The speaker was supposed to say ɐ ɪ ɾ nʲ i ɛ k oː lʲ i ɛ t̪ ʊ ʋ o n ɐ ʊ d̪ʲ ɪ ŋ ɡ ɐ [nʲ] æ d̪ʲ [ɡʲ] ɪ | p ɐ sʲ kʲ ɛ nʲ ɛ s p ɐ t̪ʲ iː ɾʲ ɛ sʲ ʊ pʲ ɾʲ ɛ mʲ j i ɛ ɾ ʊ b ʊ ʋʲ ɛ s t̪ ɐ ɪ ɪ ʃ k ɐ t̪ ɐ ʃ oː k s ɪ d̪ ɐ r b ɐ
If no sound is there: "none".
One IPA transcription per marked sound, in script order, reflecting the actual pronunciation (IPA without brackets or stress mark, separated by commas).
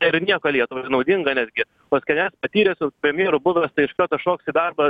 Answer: nʲ, ɡʲ